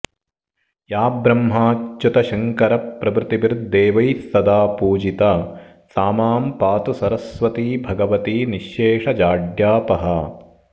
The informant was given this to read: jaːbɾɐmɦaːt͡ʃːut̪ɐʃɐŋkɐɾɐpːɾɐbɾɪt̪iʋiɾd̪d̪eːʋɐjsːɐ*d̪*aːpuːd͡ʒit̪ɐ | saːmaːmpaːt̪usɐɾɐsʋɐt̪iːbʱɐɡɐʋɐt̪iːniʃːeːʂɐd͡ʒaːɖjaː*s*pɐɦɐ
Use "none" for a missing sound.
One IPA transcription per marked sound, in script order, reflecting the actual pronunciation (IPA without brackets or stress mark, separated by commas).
d̪, none